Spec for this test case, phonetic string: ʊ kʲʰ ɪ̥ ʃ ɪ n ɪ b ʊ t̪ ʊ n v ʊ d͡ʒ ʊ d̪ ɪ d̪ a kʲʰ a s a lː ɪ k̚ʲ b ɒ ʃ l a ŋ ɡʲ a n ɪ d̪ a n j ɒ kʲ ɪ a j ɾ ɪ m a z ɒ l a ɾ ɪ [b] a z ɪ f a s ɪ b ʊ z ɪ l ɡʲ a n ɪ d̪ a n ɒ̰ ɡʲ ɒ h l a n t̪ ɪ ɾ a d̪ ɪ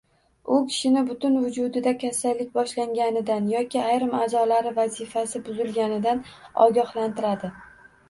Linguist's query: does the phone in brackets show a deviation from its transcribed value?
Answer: yes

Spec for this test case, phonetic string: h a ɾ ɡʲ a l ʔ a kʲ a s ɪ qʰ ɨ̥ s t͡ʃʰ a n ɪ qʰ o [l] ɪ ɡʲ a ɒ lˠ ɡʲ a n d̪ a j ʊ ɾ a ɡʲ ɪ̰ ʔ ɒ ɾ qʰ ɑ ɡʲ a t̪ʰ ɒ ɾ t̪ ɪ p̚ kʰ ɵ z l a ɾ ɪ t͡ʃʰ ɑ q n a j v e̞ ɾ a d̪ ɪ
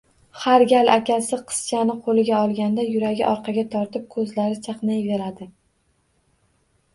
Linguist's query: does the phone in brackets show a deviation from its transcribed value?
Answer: no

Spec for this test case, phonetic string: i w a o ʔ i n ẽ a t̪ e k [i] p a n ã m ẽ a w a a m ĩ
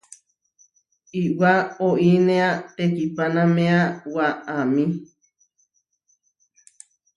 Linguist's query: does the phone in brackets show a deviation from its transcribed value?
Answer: no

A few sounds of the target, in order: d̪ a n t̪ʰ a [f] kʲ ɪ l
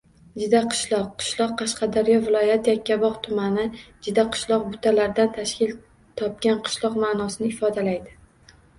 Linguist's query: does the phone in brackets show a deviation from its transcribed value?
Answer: yes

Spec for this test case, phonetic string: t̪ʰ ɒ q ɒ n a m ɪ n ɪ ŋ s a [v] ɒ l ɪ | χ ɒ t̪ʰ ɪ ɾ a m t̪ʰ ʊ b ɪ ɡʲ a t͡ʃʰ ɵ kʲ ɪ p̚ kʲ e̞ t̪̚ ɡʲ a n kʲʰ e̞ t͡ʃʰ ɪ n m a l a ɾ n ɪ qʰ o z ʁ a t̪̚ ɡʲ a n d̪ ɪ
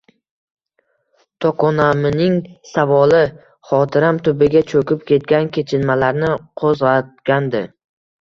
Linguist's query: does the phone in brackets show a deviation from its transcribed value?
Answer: no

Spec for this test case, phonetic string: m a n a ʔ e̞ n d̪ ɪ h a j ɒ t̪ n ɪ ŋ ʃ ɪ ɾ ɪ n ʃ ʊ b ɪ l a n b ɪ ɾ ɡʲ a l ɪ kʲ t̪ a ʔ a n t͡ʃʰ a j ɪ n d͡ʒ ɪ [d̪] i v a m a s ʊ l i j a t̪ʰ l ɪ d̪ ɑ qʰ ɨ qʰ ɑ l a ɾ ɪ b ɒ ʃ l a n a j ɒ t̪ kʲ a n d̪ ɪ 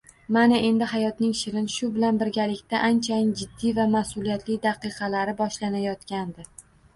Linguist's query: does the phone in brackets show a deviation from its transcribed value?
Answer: yes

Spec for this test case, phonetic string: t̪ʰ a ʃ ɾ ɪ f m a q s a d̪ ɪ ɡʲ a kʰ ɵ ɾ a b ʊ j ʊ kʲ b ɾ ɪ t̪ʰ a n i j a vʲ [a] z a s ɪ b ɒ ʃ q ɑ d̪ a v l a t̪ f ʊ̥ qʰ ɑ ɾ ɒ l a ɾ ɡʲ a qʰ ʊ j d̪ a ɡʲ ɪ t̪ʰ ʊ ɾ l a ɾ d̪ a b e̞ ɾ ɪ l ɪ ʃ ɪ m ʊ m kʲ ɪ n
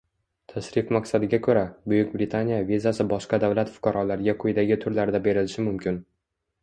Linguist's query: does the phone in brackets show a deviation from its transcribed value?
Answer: yes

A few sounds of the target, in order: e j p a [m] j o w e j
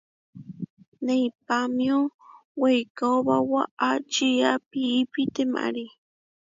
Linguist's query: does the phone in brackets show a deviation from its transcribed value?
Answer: no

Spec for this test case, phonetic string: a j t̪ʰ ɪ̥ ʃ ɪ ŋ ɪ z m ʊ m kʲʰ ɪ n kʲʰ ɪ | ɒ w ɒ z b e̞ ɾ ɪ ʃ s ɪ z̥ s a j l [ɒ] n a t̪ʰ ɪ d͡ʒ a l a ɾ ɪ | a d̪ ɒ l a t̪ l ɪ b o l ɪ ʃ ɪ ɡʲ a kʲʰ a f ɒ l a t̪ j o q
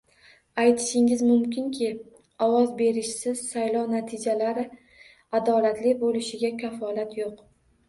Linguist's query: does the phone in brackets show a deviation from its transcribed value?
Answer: no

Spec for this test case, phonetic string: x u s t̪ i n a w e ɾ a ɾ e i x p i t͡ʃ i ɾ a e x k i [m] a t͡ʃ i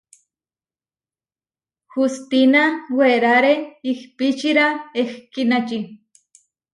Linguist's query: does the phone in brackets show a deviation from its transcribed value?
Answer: yes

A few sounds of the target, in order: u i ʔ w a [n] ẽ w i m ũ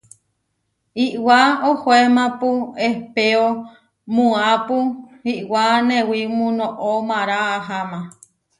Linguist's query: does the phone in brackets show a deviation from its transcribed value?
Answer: no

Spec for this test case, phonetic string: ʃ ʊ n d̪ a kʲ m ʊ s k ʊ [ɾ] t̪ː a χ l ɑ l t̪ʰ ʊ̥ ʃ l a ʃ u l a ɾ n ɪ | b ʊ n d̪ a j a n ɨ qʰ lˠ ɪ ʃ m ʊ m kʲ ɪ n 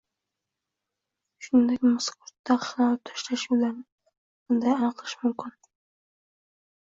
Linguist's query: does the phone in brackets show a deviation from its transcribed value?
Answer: no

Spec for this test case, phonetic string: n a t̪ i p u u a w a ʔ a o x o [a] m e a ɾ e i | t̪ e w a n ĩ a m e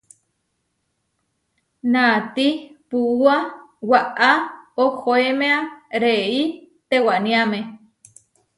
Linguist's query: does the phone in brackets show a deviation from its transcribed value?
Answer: yes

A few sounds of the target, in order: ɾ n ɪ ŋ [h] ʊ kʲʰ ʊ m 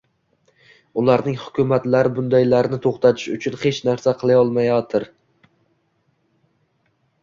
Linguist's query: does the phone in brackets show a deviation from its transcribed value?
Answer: no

